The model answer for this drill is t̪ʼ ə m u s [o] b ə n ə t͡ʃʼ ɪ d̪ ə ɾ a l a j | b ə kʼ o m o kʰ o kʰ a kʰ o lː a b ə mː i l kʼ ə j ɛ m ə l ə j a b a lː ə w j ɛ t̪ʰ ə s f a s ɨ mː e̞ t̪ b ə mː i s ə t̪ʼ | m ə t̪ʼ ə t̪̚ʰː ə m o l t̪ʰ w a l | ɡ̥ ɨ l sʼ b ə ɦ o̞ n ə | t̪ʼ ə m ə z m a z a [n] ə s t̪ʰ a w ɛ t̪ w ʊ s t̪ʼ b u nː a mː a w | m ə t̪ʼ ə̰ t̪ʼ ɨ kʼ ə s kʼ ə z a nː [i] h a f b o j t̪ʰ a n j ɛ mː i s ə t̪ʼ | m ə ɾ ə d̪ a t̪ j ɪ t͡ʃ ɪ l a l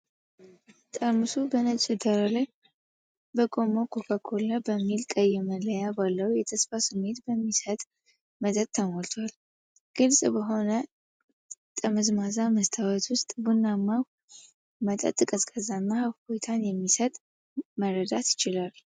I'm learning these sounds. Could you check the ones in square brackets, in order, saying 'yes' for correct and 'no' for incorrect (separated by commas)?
no, no, no